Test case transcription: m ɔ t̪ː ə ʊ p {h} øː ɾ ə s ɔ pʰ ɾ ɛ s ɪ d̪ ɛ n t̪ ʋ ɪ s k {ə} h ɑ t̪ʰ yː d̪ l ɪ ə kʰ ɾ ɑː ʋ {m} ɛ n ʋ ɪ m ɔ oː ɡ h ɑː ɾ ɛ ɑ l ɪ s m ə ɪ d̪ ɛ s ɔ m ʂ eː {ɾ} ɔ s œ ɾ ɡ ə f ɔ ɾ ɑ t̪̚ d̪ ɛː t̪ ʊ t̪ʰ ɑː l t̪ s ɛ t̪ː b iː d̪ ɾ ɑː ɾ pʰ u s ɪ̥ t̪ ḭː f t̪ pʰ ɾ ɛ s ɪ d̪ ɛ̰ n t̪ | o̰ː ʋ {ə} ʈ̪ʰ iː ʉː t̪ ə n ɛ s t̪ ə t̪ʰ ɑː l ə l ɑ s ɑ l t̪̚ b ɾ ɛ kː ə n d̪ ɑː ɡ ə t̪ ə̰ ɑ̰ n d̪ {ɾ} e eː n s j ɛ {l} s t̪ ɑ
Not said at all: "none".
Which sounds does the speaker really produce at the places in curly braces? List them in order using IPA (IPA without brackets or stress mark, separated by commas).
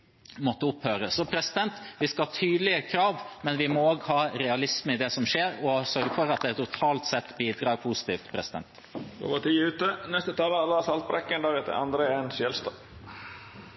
h, ɑ, m, ɾ, ə, ɾ, l